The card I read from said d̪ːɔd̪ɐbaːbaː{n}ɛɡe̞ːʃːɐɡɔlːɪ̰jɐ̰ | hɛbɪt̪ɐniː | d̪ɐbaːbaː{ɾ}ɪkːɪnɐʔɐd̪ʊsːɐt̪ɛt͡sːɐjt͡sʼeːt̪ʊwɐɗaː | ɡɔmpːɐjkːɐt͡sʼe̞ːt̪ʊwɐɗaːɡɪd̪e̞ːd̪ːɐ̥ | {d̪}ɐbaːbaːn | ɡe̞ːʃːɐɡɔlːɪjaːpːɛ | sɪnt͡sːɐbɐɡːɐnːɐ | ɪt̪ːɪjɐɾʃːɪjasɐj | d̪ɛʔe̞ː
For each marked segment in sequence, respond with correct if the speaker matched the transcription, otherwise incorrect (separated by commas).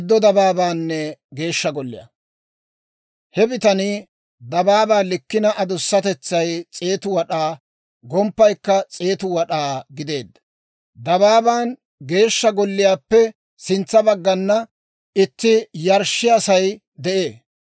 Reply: incorrect, incorrect, correct